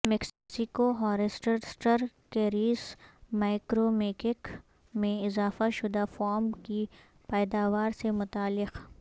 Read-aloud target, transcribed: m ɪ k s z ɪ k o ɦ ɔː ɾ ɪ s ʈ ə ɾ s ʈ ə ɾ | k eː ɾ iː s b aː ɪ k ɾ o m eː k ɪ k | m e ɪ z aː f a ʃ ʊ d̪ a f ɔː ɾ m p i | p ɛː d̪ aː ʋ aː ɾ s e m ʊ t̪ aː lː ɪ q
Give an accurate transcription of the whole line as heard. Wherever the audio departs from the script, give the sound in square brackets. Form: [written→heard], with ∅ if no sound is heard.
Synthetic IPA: m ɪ k s [z→s] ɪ k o ɦ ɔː ɾ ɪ s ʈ ə ɾ s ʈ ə ɾ | k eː ɾ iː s [b→m] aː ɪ k ɾ o m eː k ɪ k | m [e→ẽ] ɪ z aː f a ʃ ʊ d̪ a f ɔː ɾ m [p→k] i | p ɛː d̪ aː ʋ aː ɾ s e m ʊ t̪ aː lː ɪ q